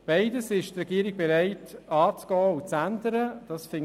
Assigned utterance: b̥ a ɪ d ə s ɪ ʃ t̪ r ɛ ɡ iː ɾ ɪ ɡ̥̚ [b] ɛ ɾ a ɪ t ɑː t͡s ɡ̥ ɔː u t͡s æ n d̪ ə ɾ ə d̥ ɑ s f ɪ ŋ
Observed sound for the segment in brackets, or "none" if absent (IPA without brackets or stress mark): b